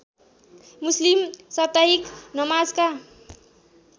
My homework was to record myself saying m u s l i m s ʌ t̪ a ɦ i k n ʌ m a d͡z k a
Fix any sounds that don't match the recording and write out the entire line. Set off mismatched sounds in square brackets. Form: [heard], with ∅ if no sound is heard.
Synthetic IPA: m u s l i m s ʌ t̪ a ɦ i k n ʌ m a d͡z k a